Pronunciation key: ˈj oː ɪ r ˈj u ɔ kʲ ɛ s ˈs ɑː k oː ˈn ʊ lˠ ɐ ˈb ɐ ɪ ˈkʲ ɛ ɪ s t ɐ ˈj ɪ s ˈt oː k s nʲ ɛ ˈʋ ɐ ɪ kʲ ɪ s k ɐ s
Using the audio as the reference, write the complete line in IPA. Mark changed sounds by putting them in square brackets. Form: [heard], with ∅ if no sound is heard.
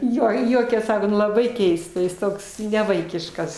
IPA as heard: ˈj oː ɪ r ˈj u ɔ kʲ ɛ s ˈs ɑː k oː ˈn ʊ lˠ ɐ ˈb ɐ ɪ ˈkʲ ɛ ɪ s t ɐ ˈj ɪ s ˈt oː k s nʲ ɛ ˈʋ ɐ ɪ kʲ ɪ [ʃ] k ɐ s